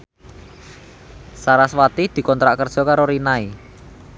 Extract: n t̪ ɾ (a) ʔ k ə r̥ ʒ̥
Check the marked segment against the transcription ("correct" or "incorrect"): correct